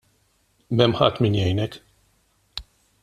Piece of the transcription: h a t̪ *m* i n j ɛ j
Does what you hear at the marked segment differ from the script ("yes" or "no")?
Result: no